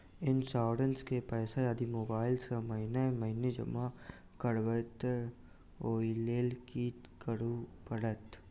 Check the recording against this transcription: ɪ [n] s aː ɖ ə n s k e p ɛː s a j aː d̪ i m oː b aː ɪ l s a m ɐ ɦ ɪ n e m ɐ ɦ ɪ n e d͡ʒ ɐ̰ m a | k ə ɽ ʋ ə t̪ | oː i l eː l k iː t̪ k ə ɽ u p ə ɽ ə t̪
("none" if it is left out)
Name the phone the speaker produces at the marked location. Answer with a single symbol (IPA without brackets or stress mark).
n